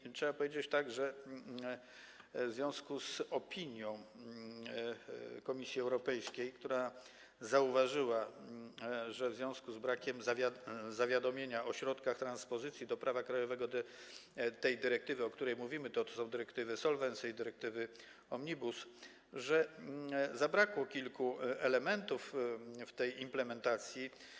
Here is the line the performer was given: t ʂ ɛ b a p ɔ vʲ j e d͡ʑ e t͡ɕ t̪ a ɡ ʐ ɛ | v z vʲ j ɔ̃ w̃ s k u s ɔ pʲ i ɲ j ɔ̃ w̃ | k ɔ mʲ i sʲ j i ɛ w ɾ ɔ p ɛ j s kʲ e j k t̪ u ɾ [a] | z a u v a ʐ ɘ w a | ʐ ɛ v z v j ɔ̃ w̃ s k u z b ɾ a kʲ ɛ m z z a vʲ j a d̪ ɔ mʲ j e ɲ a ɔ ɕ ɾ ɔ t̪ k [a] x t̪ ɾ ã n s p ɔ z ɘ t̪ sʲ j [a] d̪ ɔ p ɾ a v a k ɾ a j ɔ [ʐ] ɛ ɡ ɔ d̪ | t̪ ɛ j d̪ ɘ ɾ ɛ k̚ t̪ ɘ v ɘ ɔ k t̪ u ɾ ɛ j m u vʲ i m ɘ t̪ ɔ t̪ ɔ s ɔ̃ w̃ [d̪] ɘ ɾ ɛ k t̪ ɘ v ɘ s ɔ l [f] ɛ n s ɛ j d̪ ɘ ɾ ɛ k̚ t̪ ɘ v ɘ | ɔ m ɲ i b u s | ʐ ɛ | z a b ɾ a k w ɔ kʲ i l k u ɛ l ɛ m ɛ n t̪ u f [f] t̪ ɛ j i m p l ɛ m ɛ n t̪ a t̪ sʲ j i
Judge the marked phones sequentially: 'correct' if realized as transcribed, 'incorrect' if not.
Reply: correct, correct, incorrect: i, incorrect: v, correct, incorrect: v, correct

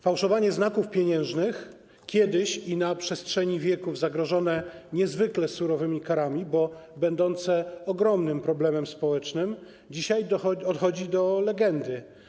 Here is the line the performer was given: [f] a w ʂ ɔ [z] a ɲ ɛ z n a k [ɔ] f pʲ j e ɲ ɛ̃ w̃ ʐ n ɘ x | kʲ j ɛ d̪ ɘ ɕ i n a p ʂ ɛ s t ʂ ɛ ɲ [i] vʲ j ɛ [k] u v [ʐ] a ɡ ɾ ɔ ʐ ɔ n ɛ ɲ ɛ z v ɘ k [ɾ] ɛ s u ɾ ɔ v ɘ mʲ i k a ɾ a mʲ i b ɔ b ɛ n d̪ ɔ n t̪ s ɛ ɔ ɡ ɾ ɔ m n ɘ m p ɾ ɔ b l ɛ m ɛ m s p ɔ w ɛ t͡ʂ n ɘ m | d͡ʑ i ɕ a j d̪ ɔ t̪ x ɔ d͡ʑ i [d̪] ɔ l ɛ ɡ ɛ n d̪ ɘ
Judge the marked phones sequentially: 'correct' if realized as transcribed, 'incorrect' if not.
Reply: correct, incorrect: v, incorrect: u, correct, correct, incorrect: z, incorrect: l, correct

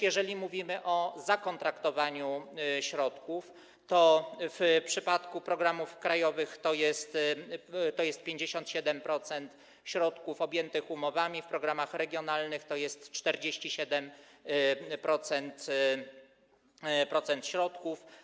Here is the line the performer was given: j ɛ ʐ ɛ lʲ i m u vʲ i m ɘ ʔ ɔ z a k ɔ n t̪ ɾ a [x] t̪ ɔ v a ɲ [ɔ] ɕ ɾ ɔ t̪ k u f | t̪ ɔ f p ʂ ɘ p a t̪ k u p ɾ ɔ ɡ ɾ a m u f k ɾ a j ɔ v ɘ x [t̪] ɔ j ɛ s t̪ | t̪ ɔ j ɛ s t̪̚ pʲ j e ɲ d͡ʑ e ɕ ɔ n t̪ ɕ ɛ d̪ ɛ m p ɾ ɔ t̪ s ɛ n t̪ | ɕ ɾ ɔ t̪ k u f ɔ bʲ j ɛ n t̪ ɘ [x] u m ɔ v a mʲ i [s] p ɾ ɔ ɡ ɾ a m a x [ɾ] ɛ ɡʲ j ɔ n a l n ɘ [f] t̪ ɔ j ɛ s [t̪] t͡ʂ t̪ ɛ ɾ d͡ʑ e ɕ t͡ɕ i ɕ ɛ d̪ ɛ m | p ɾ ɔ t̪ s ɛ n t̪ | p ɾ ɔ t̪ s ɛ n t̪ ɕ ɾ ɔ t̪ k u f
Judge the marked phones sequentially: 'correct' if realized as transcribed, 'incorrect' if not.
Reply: incorrect: k, incorrect: u, correct, correct, incorrect: f, correct, incorrect: x, correct

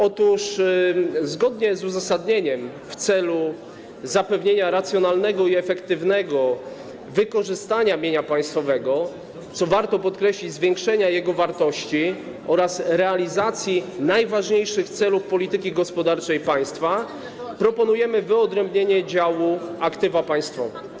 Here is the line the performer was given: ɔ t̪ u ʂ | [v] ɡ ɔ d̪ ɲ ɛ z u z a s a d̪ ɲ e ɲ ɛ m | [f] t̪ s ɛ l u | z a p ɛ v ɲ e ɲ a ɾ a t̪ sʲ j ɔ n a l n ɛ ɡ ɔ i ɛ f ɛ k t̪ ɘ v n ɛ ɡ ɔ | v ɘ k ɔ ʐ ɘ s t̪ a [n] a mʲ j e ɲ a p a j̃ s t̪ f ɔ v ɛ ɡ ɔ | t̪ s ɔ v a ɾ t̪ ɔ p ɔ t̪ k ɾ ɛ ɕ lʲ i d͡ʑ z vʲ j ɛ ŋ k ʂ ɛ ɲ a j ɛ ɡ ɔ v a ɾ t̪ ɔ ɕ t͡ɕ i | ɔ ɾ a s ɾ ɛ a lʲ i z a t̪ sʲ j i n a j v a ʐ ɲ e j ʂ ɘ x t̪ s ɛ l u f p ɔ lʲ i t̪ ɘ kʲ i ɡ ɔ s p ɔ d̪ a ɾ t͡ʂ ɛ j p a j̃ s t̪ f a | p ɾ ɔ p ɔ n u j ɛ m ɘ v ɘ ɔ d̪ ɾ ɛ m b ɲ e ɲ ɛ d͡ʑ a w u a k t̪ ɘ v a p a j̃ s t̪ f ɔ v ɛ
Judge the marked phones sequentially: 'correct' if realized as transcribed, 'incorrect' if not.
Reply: incorrect: z, correct, incorrect: ɲ

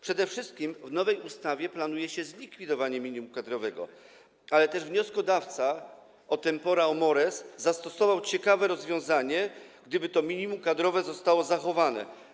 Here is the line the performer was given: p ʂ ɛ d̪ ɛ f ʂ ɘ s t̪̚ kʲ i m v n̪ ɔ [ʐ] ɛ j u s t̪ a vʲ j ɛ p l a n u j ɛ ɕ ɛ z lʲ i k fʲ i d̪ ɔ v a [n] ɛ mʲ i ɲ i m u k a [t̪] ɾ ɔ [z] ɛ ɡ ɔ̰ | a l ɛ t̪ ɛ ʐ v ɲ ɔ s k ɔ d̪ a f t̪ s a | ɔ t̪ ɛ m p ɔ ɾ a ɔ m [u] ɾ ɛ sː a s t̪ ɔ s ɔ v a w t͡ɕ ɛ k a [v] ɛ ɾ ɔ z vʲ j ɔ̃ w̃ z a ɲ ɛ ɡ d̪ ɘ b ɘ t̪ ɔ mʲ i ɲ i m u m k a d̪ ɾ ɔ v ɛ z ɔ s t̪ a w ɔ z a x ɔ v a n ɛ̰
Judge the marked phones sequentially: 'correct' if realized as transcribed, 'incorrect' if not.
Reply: incorrect: v, incorrect: ɲ, incorrect: d̪, incorrect: v, incorrect: ɔ, correct

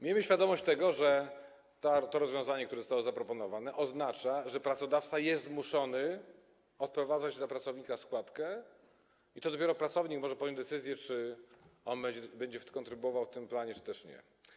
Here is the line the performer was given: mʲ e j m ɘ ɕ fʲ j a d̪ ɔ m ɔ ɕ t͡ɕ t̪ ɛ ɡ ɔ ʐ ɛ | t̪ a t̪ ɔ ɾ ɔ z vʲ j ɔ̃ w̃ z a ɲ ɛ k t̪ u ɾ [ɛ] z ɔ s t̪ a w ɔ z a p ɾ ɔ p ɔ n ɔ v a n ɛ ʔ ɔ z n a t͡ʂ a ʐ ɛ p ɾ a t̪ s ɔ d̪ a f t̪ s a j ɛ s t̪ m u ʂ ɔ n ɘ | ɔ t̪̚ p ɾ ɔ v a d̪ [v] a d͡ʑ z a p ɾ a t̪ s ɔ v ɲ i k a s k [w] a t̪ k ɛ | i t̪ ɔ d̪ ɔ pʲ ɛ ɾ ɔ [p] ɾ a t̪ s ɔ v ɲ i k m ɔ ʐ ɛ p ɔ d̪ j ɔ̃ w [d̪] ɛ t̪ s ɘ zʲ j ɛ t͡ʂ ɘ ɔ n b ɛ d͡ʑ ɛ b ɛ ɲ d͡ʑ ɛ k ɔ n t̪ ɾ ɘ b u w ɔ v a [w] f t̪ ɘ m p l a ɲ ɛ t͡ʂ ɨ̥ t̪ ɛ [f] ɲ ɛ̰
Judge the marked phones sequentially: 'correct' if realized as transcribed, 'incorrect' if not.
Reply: correct, incorrect: z, correct, correct, correct, correct, incorrect: ʂ

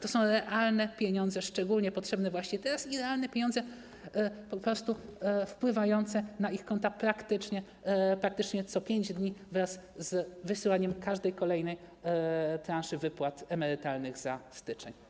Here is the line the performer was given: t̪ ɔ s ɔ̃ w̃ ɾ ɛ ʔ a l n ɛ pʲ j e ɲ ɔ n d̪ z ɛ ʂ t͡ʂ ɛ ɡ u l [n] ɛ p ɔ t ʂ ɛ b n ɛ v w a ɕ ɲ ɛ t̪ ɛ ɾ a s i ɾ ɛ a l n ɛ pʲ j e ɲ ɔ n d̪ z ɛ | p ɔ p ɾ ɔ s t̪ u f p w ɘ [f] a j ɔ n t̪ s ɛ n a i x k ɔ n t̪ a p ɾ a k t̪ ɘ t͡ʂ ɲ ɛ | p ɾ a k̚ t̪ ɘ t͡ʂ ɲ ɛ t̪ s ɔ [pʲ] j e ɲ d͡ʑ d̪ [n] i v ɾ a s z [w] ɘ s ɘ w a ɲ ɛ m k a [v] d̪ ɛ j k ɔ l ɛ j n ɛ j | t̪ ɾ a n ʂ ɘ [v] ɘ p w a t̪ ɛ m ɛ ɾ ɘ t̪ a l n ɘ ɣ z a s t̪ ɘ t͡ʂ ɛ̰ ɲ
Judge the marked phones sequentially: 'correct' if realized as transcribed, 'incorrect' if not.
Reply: incorrect: ɲ, incorrect: v, correct, incorrect: ɲ, incorrect: v, incorrect: ʐ, correct

